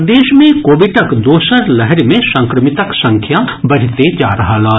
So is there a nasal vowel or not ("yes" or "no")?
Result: yes